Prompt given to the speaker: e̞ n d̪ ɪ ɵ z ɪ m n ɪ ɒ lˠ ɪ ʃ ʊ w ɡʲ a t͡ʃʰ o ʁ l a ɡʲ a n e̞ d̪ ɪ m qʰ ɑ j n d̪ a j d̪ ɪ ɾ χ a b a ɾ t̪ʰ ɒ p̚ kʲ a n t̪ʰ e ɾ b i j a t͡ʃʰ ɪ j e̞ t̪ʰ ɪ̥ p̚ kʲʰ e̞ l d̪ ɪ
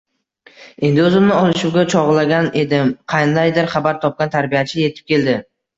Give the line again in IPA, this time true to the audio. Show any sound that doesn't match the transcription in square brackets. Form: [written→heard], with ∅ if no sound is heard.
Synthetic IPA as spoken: e̞ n d̪ ɪ ɵ z ɪ m n ɪ ɒ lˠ ɪ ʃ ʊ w ɡʲ a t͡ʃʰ [o→ɒ] ʁ l a ɡʲ a n e̞ d̪ ɪ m qʰ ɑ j n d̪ a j d̪ ɪ ɾ χ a b a ɾ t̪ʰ ɒ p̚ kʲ a n t̪ʰ [e→a] ɾ b i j a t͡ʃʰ ɪ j e̞ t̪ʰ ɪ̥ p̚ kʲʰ e̞ l d̪ ɪ